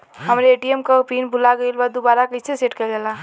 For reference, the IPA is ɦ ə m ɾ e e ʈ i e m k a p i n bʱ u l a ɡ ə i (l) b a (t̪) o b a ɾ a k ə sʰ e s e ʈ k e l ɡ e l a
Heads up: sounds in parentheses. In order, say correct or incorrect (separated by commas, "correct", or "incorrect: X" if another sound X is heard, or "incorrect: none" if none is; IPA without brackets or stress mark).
correct, incorrect: d̪